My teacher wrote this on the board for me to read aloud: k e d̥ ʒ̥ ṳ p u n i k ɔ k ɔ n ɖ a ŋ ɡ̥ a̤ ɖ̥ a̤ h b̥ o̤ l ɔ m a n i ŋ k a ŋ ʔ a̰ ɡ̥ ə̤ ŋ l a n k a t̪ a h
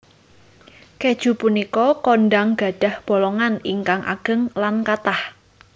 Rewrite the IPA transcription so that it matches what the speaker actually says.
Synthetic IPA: k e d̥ ʒ̥ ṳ p u n i k ɔ k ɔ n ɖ a ŋ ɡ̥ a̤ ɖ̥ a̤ h b̥ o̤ l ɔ ŋ a n i ŋ k a ŋ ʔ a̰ ɡ̥ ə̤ ŋ l a n k a t̪ a h